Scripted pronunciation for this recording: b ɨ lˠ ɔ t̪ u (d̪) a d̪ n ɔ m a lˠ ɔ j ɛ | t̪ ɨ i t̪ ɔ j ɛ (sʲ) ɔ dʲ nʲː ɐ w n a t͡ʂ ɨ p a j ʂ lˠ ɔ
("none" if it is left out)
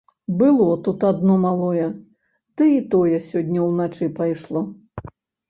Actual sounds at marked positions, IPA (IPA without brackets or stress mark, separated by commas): t̪, sʲ